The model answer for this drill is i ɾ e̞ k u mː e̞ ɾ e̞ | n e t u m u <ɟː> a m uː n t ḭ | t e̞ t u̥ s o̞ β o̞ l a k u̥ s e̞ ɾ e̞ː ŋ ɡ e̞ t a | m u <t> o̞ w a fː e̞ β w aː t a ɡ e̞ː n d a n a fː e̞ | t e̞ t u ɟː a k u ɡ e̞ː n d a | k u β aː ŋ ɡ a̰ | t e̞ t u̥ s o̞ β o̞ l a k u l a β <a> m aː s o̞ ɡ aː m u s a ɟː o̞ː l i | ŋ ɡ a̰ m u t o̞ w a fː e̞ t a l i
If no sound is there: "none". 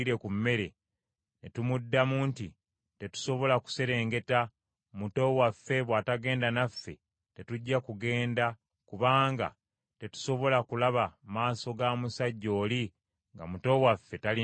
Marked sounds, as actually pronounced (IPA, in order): dː, t, a

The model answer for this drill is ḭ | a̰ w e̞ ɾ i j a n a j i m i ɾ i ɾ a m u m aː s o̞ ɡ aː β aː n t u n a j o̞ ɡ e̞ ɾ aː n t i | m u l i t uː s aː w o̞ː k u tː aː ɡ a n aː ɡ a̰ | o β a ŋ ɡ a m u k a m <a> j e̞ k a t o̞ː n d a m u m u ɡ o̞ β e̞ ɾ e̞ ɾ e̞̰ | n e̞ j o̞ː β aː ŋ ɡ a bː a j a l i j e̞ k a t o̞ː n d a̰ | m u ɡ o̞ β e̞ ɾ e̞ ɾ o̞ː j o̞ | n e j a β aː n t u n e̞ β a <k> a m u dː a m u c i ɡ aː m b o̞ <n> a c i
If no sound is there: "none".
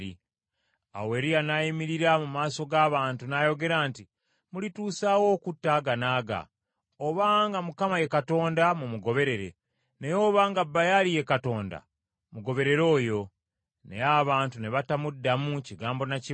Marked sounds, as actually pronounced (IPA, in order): a, t, n

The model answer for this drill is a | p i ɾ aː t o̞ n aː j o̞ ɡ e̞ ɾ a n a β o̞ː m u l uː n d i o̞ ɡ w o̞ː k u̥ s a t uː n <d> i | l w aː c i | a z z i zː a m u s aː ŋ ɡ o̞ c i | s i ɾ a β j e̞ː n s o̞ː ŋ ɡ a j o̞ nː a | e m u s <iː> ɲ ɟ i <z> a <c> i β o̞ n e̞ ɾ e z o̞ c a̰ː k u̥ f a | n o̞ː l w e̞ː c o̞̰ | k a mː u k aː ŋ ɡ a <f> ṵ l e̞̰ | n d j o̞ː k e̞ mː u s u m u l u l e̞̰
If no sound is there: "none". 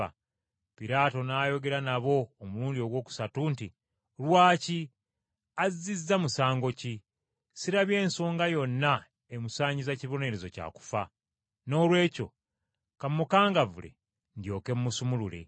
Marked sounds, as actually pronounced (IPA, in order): t, aː, z, c, v

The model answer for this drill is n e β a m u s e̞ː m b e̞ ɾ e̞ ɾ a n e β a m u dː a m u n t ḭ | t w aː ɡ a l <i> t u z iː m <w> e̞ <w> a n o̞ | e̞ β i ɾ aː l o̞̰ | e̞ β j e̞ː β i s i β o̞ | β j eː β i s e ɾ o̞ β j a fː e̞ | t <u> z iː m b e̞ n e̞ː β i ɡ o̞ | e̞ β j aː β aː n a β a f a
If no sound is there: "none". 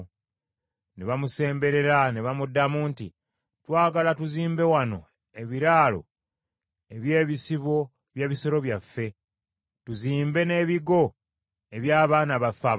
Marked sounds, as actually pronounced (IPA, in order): a, b, w, u

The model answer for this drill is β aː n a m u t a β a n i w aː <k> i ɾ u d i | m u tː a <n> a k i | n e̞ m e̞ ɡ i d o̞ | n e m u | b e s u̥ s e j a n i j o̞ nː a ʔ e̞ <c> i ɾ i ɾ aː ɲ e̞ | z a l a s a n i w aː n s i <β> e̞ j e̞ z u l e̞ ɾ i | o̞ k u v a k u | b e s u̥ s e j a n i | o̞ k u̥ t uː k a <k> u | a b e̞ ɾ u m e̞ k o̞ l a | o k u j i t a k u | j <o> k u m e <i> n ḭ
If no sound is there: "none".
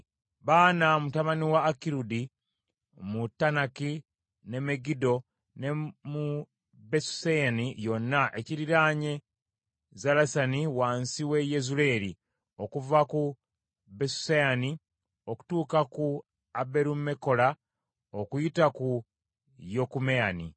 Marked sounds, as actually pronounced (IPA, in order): k, n, c, w, k, o, a

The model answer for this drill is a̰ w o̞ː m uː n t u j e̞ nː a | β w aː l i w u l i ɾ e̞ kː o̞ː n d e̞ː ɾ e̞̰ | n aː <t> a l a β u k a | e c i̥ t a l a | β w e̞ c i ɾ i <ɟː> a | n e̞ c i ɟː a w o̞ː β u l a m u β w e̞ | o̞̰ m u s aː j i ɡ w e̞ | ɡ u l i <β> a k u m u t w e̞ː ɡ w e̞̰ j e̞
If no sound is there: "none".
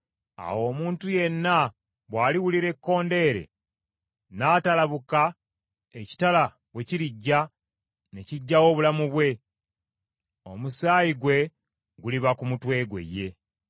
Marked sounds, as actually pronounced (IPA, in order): t, ɟː, β

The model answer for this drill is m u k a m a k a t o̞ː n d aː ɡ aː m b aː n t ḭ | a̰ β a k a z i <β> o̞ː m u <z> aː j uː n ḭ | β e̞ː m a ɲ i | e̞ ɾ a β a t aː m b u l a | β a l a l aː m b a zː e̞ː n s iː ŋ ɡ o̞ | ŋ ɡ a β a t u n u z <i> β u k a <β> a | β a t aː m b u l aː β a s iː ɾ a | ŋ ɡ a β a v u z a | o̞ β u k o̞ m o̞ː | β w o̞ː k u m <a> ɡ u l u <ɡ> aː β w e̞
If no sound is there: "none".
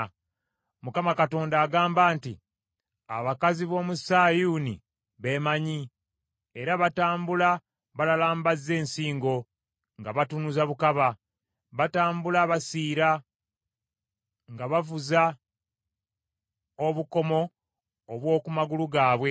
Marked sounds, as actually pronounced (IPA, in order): β, s, a, β, a, ɡ

